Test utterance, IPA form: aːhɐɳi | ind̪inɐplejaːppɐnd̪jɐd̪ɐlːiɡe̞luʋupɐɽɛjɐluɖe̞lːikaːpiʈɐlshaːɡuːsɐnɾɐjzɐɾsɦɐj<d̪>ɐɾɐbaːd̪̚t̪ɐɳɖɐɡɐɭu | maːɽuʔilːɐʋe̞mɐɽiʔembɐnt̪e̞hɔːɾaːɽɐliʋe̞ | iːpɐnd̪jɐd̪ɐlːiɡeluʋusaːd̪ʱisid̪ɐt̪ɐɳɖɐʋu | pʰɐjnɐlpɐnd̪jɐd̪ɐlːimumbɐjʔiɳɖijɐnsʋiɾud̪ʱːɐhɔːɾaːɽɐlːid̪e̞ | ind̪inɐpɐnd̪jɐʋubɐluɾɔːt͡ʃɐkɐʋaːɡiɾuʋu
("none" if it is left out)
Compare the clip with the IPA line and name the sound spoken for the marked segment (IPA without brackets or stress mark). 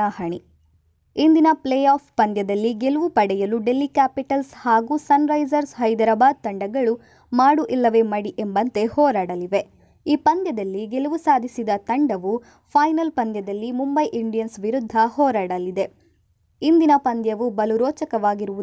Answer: d̪